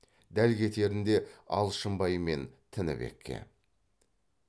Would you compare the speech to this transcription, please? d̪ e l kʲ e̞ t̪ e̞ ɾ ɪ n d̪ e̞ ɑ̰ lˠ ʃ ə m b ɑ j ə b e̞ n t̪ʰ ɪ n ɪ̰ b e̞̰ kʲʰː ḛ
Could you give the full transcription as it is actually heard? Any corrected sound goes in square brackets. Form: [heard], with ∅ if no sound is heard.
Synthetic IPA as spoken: d̪ [æ] l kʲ e̞ t̪ e̞ ɾ ɪ n d̪ e̞ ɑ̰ lˠ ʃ ə m b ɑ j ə [m] e̞ n t̪ʰ ɪ n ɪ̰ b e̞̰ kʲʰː ḛ